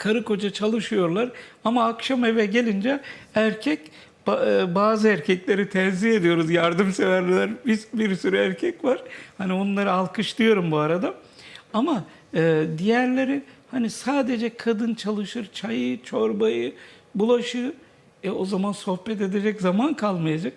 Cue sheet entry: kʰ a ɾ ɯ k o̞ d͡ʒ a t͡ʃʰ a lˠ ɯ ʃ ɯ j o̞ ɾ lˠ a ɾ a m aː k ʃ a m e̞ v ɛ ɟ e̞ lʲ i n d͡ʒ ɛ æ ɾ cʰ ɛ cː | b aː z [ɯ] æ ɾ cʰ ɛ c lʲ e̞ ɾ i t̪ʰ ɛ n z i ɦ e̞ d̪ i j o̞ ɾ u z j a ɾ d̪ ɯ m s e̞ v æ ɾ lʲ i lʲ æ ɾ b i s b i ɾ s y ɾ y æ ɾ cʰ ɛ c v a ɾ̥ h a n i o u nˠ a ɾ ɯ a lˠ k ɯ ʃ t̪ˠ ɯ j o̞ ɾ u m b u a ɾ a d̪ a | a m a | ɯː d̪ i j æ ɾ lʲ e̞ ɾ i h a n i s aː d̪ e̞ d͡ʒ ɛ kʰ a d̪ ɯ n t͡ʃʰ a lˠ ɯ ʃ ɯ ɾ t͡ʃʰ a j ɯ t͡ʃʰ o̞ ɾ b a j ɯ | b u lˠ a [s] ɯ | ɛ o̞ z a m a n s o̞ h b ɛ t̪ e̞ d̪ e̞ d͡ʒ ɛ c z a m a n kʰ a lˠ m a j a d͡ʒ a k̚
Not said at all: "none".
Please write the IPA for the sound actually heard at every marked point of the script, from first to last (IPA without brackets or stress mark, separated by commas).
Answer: ɯ, ʃ